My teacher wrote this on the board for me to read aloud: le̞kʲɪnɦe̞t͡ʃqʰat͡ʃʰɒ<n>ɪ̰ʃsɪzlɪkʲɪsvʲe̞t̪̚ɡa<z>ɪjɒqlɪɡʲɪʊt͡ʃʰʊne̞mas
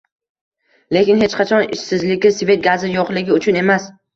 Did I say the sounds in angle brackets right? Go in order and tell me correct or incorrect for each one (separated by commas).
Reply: correct, correct